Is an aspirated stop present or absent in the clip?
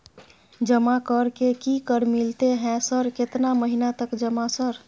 absent